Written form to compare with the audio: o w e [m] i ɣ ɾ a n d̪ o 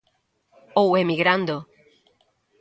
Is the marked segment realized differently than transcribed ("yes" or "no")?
no